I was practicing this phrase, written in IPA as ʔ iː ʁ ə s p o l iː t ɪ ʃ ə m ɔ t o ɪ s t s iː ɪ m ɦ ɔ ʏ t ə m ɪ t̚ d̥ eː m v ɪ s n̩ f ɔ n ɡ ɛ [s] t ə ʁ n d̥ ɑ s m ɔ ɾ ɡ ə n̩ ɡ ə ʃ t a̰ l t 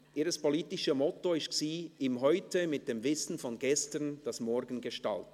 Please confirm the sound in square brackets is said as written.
yes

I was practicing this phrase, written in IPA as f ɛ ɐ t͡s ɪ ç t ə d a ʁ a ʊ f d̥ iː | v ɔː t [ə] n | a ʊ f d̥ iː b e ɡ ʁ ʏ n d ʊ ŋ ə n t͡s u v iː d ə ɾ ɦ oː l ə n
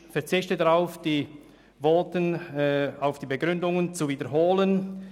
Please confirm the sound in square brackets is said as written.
yes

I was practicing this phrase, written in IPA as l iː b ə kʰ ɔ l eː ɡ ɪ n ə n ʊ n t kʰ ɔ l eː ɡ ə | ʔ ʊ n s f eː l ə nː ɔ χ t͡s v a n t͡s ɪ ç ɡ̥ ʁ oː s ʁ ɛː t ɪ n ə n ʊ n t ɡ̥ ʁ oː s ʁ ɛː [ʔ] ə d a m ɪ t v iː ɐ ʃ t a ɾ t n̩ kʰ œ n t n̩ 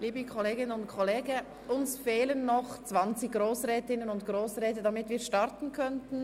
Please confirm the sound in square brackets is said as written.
no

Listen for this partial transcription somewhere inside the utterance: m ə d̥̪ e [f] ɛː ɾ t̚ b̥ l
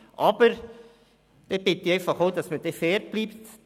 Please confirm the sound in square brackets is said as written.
yes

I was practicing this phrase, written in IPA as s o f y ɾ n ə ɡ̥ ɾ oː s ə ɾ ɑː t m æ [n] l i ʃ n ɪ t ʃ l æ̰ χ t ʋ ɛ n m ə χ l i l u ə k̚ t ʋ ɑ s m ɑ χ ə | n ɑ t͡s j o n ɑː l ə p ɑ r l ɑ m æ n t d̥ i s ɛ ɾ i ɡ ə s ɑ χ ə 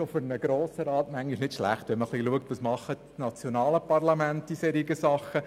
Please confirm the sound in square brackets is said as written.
no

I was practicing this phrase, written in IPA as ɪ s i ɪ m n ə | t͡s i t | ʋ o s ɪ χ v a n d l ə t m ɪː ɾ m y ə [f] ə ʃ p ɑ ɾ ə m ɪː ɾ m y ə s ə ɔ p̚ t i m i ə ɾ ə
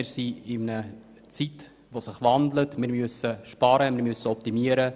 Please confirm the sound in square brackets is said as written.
no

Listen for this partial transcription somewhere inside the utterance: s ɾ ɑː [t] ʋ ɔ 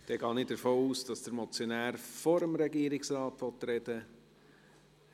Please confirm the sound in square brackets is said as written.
yes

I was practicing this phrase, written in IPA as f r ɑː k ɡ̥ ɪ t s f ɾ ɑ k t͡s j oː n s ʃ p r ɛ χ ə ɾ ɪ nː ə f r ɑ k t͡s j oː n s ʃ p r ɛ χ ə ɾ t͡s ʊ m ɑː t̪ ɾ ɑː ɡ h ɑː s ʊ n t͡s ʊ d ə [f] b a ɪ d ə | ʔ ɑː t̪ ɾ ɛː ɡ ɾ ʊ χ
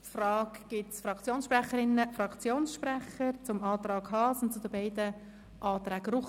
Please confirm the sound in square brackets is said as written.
no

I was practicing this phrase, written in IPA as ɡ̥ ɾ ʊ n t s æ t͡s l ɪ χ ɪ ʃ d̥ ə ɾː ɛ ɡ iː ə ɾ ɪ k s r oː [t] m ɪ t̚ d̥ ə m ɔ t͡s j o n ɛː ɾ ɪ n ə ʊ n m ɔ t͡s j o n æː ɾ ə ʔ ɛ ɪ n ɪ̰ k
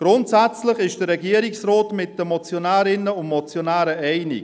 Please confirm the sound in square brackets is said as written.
yes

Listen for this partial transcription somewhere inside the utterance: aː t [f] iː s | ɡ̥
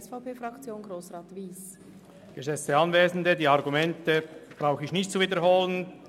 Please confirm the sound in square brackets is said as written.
no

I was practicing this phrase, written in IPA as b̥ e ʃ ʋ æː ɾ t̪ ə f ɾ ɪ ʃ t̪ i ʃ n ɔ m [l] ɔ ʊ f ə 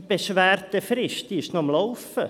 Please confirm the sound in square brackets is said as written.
yes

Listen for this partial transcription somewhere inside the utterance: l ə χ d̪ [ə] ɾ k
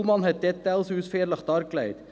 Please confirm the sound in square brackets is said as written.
no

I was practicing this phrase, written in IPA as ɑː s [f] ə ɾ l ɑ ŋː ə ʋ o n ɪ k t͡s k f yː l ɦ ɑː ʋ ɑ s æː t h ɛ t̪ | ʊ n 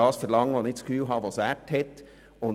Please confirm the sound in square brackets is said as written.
yes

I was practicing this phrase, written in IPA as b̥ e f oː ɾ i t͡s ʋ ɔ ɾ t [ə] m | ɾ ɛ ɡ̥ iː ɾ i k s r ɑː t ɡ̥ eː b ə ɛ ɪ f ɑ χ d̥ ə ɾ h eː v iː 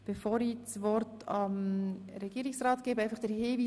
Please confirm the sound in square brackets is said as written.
no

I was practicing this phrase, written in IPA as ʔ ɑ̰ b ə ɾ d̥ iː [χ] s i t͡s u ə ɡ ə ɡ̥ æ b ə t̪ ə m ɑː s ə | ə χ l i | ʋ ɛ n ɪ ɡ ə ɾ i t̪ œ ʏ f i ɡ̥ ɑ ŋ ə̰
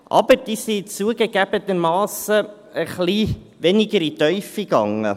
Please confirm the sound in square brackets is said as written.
no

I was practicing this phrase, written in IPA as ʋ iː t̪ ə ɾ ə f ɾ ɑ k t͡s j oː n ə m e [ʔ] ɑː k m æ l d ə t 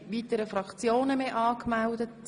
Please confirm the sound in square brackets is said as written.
yes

